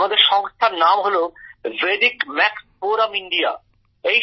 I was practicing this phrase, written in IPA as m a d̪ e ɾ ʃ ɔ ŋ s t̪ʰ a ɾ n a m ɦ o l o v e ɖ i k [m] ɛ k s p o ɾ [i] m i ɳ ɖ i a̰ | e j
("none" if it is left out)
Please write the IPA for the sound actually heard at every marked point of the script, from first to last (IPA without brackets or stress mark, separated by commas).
m, a